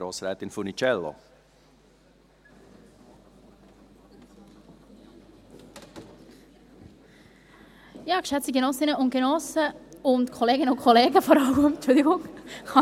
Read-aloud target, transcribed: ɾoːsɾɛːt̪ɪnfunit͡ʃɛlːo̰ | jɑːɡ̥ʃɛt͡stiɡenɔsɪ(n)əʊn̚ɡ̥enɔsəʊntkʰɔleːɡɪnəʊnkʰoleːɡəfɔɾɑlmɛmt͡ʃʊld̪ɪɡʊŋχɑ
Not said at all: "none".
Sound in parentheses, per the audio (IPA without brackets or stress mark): n